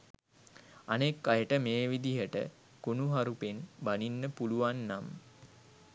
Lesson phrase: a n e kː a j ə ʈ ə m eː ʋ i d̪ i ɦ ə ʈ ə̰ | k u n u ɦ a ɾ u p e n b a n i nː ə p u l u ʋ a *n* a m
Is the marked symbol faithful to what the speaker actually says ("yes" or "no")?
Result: no